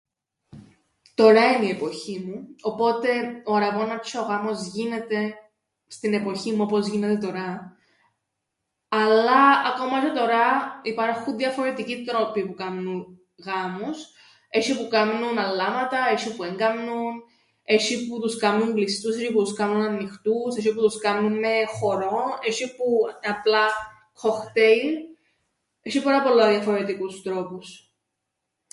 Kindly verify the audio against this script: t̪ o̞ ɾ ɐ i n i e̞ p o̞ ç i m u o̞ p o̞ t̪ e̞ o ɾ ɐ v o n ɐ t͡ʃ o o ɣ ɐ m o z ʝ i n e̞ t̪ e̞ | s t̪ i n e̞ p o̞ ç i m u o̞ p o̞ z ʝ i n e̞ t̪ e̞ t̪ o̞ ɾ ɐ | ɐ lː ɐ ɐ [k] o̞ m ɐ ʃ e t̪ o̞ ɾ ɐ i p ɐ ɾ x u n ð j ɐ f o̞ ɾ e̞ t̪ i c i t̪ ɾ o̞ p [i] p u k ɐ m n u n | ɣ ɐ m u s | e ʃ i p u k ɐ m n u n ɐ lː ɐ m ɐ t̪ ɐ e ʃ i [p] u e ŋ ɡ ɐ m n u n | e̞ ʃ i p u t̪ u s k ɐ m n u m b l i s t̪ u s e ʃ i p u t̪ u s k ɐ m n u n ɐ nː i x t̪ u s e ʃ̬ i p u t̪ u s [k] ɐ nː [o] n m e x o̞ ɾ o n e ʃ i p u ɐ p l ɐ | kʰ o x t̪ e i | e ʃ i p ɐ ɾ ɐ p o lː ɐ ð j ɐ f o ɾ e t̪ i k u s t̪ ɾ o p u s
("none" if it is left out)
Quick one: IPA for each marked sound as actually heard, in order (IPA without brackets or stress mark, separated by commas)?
k, i, p, k, u